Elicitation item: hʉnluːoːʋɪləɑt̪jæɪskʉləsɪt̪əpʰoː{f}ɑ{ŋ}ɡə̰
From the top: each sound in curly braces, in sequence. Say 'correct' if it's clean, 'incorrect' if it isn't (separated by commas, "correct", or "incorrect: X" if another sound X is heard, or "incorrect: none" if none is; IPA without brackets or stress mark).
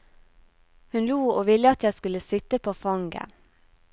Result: correct, correct